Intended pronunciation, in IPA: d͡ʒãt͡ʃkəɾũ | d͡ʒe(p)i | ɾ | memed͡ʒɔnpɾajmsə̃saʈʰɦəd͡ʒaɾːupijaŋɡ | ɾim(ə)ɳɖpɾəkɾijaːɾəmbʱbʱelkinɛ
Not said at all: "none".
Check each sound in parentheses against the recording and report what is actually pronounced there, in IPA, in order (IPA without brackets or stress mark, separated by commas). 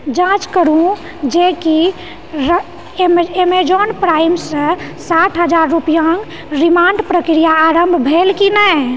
k, a